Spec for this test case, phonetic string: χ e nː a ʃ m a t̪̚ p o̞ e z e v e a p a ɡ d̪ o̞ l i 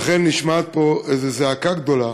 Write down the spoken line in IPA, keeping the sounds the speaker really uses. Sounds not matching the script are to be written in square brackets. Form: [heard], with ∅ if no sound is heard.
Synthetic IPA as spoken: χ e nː [i] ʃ m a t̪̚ p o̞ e z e [z] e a [k] a ɡ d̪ o̞ l [a]